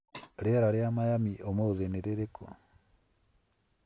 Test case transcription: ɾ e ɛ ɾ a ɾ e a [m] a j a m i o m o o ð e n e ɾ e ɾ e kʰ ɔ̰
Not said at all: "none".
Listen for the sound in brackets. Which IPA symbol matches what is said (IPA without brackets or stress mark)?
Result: m